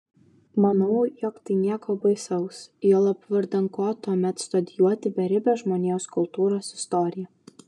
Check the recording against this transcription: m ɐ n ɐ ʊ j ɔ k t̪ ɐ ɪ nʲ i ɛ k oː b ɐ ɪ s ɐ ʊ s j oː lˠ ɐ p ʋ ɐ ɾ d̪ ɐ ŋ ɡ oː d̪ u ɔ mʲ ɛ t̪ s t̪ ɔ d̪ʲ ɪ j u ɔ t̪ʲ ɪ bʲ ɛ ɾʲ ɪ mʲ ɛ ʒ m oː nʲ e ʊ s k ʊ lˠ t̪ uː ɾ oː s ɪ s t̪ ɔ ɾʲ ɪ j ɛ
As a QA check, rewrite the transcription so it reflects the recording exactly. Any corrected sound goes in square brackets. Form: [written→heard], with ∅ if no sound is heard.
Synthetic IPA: m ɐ n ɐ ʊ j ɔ k t̪ ɐ ɪ nʲ i ɛ k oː b ɐ ɪ s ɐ ʊ s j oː lˠ ɐ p ʋ ɐ ɾ d̪ ɐ ŋ [ɡ→k] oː [d̪→t̪] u ɔ mʲ ɛ t̪ s t̪ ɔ d̪ʲ ɪ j u ɔ t̪ʲ ɪ bʲ ɛ ɾʲ ɪ [mʲ→bʲ] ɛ ʒ m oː nʲ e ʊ s k ʊ lˠ t̪ uː ɾ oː s ɪ s t̪ ɔ ɾʲ ɪ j ɛ

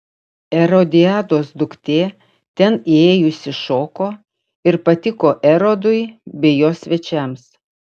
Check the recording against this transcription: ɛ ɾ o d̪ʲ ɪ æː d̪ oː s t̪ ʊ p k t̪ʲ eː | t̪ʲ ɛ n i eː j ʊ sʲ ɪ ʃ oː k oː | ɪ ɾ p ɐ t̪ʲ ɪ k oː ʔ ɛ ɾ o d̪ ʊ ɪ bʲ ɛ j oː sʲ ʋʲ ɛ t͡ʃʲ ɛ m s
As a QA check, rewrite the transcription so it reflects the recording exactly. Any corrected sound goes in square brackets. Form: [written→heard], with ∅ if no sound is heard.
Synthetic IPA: ɛ ɾ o d̪ʲ ɪ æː d̪ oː s [t̪→d̪] ʊ [p→∅] k t̪ʲ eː | t̪ʲ ɛ n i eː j ʊ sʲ ɪ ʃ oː k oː | ɪ ɾ p ɐ t̪ʲ ɪ k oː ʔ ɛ ɾ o d̪ ʊ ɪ bʲ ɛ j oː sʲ ʋʲ ɛ t͡ʃʲ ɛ m s

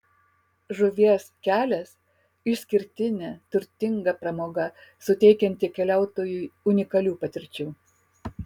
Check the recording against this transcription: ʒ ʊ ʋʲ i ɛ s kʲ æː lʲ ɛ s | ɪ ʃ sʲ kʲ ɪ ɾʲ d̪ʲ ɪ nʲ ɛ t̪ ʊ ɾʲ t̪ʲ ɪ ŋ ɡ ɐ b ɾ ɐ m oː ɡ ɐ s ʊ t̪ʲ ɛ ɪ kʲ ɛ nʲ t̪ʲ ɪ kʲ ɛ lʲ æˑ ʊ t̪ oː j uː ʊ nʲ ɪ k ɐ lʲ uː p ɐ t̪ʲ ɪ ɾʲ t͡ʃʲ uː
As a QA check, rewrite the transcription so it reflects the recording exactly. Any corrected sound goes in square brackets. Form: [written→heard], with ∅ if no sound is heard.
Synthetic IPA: ʒ ʊ ʋʲ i ɛ s kʲ æː lʲ ɛ s | ɪ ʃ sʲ kʲ ɪ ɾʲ [d̪ʲ→t̪ʲ] ɪ nʲ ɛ t̪ ʊ ɾʲ t̪ʲ ɪ ŋ ɡ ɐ [b→p] ɾ ɐ m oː ɡ ɐ s ʊ t̪ʲ ɛ ɪ kʲ ɛ nʲ t̪ʲ ɪ kʲ ɛ lʲ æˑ ʊ t̪ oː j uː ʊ nʲ ɪ k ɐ lʲ uː p ɐ t̪ʲ ɪ ɾʲ t͡ʃʲ uː

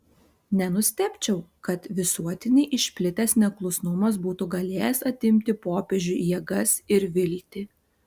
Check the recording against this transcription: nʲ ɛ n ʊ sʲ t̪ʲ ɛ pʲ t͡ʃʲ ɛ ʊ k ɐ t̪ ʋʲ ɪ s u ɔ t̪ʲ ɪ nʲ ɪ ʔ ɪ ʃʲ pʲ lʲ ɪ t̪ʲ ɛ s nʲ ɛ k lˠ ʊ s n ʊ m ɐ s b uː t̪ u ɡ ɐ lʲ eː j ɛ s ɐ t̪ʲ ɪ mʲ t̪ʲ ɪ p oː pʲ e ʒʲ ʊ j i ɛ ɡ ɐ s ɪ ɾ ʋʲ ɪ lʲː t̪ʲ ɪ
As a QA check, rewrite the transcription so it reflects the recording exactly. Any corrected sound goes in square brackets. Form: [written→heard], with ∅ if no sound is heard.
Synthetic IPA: nʲ ɛ n ʊ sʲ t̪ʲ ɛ pʲ t͡ʃʲ ɛ ʊ k ɐ t̪ ʋʲ ɪ s u ɔ t̪ʲ ɪ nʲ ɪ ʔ ɪ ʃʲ pʲ lʲ ɪ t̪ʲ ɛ s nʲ ɛ k lˠ ʊ s n ʊ m ɐ s b uː t̪ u ɡ ɐ lʲ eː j ɛ s ɐ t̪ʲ ɪ mʲ t̪ʲ ɪ p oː pʲ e ʒʲ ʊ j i ɛ ɡ ɐ s ɪ ɾ ʋʲ ɪ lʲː t̪ʲ ɪ

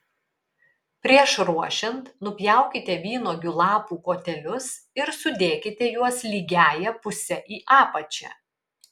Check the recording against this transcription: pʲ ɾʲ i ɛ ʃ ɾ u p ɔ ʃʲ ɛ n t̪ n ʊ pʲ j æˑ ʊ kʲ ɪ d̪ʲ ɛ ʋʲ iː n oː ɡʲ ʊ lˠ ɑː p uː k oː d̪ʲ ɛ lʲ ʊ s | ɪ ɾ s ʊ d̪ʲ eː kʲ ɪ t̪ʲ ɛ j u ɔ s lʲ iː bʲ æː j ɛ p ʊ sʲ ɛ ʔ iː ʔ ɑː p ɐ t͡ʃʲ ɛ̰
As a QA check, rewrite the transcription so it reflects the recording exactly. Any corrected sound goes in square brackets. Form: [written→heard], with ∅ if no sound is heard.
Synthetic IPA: pʲ ɾʲ i ɛ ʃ ɾ u [p→∅] ɔ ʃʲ ɛ n t̪ n ʊ pʲ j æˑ ʊ kʲ ɪ [d̪ʲ→t̪ʲ] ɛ ʋʲ iː n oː ɡʲ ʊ lˠ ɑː p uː k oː [d̪ʲ→t̪ʲ] ɛ lʲ ʊ s | ɪ ɾ s ʊ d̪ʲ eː kʲ ɪ t̪ʲ ɛ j u ɔ s lʲ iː [bʲ→ɡʲ] æː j ɛ p ʊ sʲ ɛ ʔ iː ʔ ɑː p ɐ t͡ʃʲ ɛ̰

